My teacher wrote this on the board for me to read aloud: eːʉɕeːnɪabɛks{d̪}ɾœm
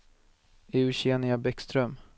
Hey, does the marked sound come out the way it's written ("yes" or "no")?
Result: no